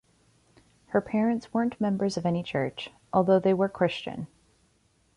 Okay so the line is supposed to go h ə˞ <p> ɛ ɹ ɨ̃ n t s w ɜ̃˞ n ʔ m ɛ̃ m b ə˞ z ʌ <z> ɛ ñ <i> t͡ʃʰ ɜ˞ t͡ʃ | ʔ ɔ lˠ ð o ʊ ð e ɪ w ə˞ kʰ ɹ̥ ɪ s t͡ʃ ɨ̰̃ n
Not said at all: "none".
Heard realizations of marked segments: pʰ, v, i

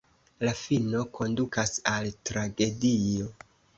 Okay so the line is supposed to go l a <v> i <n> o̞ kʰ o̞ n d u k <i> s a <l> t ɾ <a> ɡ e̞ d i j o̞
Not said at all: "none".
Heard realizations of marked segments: f, n, a, l, a

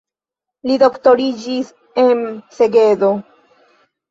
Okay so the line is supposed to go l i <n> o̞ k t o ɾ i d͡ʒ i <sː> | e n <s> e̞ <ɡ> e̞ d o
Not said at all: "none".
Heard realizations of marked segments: d, s, s, ɡ

